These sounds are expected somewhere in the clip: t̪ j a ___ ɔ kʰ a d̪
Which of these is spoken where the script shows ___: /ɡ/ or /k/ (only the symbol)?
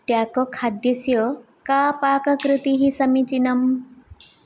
k